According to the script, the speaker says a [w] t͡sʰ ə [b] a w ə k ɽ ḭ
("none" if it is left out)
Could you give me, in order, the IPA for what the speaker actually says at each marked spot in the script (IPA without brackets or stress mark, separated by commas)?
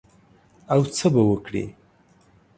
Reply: w, b